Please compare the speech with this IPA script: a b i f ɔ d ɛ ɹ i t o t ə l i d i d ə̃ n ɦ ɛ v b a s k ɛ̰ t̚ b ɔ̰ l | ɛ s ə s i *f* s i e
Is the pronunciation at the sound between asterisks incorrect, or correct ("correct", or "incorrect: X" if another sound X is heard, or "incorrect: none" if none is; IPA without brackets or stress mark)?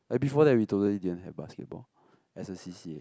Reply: incorrect: none